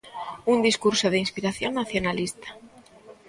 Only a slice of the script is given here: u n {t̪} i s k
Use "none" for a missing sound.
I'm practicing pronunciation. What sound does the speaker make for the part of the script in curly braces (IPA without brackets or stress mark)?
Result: d̪